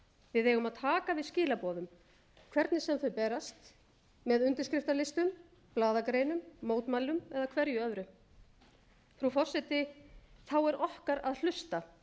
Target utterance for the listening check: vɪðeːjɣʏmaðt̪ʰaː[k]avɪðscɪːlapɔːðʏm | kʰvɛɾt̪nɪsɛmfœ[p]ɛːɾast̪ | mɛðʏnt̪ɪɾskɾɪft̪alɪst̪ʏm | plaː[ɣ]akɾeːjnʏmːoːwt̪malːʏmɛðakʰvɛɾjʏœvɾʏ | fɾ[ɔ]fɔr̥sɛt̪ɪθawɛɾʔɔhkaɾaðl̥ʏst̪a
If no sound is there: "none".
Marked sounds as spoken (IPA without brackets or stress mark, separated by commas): k, p, ð, u